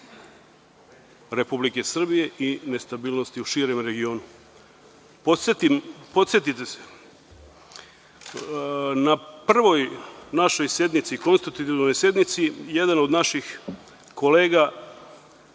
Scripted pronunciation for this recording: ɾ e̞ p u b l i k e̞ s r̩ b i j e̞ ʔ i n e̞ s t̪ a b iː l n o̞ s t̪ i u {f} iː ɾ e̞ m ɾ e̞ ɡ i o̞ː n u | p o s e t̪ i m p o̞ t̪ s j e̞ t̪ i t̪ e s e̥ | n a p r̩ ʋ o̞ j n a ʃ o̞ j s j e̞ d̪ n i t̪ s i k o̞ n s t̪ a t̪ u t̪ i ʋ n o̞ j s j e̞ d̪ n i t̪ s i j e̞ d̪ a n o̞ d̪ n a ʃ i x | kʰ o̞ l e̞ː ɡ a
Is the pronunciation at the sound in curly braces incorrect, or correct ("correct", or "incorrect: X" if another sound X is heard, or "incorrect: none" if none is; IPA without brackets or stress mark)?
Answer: incorrect: ʃ